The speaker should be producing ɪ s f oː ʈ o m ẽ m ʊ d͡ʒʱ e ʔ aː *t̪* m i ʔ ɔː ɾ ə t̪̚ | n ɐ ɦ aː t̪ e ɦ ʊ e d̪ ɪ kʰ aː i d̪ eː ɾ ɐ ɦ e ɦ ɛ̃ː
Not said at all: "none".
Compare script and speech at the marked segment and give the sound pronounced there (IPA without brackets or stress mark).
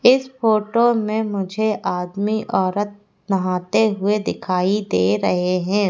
d̪